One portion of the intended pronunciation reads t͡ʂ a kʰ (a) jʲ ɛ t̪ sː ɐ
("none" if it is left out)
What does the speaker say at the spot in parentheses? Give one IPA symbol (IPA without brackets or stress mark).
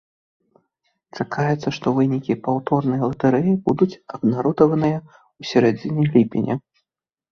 a